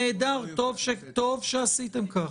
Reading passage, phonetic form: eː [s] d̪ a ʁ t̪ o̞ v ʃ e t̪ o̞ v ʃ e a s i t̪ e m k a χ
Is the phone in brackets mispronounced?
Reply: yes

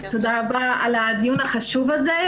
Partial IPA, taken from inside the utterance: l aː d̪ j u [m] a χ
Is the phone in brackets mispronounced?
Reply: yes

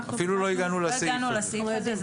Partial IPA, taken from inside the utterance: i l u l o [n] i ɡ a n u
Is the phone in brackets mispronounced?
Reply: yes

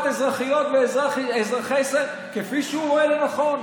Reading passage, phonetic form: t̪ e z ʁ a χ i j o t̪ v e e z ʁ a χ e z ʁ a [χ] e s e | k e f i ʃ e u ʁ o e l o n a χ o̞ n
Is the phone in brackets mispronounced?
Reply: no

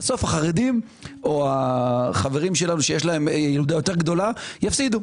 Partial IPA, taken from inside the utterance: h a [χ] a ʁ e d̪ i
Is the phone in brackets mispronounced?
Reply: no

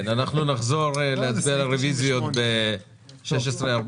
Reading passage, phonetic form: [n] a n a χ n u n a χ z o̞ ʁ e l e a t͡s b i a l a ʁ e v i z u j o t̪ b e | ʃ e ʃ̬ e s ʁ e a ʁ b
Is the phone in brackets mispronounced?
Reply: no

